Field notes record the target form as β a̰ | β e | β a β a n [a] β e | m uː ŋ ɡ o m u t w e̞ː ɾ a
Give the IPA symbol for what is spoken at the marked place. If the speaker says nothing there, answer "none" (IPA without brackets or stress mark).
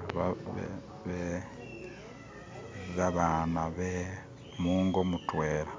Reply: a